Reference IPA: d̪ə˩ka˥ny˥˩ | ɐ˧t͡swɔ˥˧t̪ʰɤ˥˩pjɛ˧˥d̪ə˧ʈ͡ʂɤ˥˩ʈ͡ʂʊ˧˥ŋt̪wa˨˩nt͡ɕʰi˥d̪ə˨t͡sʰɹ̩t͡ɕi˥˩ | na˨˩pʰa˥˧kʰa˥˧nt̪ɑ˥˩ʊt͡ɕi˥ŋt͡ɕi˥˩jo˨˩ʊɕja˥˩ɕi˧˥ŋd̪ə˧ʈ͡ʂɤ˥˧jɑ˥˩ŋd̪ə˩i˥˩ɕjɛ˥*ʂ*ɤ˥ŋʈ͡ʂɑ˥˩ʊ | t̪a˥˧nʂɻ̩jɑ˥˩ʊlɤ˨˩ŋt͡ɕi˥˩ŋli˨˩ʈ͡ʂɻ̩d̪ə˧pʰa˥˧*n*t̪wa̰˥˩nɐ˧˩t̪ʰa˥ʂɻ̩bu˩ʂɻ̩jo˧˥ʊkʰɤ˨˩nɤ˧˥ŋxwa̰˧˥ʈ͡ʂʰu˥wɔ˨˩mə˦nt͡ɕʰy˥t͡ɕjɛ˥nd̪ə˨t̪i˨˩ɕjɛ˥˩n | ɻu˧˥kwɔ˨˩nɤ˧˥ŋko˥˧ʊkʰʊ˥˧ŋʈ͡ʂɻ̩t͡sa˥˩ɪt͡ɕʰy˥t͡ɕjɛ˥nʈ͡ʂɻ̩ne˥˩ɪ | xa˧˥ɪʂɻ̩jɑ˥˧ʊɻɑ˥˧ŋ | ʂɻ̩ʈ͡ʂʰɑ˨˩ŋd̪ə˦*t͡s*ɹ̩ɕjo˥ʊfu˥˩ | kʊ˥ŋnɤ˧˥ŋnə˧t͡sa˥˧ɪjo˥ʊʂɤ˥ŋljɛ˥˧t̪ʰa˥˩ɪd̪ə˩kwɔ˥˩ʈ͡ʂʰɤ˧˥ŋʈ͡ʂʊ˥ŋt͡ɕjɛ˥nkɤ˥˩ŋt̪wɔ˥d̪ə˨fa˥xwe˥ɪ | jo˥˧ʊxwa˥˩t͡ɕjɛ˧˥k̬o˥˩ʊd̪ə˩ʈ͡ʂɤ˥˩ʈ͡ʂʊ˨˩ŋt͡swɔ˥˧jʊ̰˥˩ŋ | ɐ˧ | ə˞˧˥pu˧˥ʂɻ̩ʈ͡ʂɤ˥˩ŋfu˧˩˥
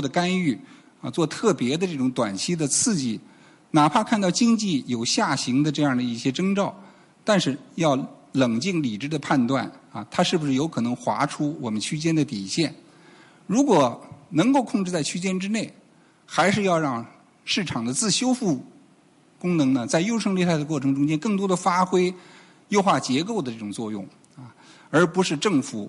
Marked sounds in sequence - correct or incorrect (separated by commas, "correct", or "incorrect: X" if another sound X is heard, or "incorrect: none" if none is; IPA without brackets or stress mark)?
incorrect: ʈ͡ʂ, correct, correct